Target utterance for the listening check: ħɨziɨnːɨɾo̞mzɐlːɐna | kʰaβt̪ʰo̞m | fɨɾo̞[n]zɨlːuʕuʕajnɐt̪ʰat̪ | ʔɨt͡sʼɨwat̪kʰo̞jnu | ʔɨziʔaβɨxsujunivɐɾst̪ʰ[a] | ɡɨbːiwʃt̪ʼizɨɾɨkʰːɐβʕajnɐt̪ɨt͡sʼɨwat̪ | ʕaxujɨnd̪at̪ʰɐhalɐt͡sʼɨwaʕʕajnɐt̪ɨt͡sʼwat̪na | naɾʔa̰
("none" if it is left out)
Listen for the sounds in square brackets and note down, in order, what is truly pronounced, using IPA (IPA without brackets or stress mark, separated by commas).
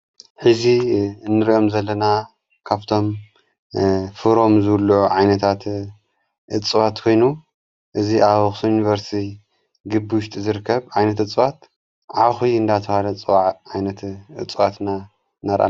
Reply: m, i